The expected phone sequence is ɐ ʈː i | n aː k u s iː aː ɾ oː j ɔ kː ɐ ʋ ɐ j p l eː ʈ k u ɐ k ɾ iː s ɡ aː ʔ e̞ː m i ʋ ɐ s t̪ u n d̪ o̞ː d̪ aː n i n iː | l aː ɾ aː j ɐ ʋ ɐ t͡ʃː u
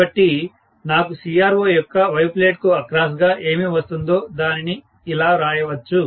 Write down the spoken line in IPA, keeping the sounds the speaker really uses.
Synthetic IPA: ɐ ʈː i | n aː k u s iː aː ɾ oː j ɔ kː ɐ ʋ ɐ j p l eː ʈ k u ɐ k ɾ aː s ɡ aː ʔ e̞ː m i ʋ ɐ s t̪ u n d̪ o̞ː d̪ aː n i n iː | l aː ɾ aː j ɐ ʋ ɐ t͡ʃː u